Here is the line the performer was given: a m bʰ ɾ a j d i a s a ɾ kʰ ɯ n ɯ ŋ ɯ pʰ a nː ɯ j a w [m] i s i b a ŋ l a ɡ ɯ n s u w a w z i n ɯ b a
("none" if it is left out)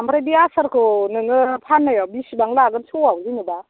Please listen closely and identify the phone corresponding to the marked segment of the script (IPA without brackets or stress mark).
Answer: b